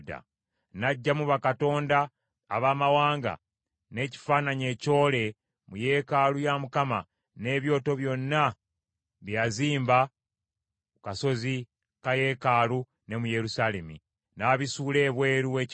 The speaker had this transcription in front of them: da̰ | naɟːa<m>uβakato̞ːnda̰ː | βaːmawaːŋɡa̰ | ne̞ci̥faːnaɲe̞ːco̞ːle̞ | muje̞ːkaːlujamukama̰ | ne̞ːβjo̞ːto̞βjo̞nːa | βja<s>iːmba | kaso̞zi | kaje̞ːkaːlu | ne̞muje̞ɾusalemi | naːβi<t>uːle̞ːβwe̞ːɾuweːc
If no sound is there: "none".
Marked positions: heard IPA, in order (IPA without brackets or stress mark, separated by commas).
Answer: m, z, s